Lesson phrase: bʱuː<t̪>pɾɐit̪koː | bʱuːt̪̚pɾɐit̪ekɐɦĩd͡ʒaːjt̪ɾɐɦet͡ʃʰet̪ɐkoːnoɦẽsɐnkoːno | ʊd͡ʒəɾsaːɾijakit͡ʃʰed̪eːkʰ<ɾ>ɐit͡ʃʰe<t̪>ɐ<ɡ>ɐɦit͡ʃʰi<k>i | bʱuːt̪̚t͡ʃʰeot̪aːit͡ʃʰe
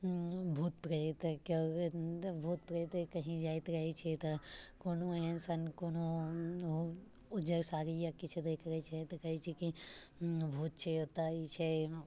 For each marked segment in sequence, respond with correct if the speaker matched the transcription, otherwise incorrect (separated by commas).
correct, correct, correct, incorrect, correct